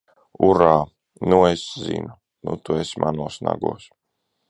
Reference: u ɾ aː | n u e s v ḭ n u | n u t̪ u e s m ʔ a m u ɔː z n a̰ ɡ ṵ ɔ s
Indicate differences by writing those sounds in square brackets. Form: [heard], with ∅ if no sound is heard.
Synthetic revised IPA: u ɾ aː | n u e s [z] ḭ n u | n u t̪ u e s m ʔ a [n] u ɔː [s] n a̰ ɡ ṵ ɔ s

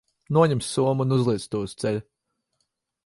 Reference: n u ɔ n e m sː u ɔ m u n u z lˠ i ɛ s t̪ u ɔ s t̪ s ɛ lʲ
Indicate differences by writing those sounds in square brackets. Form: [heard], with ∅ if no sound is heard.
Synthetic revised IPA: n u ɔ [ɲ] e m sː u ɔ m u n u z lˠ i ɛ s t̪ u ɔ s t̪ s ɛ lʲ

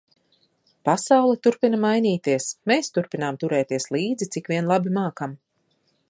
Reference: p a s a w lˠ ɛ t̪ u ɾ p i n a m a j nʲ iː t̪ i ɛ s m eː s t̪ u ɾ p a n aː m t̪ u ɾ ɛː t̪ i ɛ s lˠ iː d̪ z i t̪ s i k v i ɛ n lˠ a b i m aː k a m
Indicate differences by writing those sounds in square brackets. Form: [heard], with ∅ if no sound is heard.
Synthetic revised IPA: p a s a w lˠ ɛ t̪ u ɾ p i n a m a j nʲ iː t̪ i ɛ s m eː s t̪ u ɾ p [i] n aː m t̪ u ɾ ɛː t̪ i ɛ s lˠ iː d̪ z i t̪ s i k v i ɛ n lˠ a b i m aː k a m

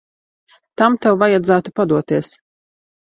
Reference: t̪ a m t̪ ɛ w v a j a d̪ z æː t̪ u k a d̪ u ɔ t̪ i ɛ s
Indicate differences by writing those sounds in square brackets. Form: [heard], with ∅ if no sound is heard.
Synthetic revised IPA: t̪ a m t̪ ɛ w v a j a d̪ z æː t̪ u [p] a d̪ u ɔ t̪ i ɛ s

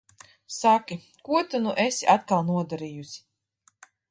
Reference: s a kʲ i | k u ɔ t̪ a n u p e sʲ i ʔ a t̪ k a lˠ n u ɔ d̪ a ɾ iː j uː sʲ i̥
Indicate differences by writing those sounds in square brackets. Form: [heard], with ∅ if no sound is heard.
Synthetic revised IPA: s a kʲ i | k u ɔ t̪ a n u [ʔ] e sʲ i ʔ a t̪ k a lˠ n u ɔ d̪ a ɾ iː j [u] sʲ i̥

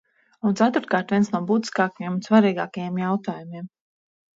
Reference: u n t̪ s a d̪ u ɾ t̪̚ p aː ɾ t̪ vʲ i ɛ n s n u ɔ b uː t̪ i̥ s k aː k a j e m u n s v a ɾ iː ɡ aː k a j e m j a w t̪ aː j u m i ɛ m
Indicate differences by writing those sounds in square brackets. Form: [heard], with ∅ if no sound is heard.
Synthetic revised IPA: u n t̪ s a [t̪] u ɾ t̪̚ [k] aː ɾ t̪ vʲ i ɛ n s n u ɔ b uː t̪ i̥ s k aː k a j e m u n s v a ɾ iː ɡ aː k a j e m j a w t̪ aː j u m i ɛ m

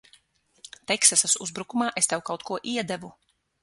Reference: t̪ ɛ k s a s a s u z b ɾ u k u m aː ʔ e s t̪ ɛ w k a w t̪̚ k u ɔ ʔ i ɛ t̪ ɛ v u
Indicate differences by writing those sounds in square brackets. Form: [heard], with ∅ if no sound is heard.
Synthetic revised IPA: t̪ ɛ k s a s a s u z b ɾ u k u m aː ʔ e s t̪ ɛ w k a w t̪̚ k u ɔ ʔ i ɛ [d̪] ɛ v u

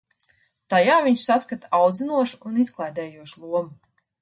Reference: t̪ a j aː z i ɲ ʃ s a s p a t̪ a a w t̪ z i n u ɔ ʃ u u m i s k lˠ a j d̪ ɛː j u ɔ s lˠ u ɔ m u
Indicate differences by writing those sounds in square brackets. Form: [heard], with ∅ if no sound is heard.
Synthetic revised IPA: t̪ a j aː [v] i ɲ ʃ s a s [k] a t̪ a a w [d̪] z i n u ɔ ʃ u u [n] i s k lˠ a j d̪ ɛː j u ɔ [ʃ] lˠ u ɔ m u

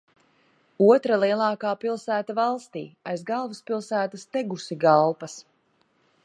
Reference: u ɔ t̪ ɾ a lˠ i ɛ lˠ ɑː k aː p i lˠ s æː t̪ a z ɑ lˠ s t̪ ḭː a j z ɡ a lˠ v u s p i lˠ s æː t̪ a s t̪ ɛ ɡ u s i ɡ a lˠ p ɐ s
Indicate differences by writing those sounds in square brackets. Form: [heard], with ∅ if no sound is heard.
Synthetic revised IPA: u ɔ t̪ ɾ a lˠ i ɛ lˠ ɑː k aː p i lˠ s æː t̪ a [v] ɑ lˠ s t̪ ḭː a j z ɡ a lˠ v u s p i lˠ s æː t̪ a s t̪ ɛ ɡ u s i ɡ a lˠ p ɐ s

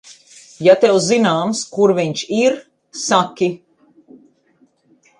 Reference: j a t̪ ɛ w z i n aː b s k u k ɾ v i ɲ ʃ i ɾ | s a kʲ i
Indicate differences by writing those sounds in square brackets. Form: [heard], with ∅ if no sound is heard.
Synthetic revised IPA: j a t̪ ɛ w z i n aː [m] s k u [∅] ɾ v i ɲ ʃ i ɾ | s a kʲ i

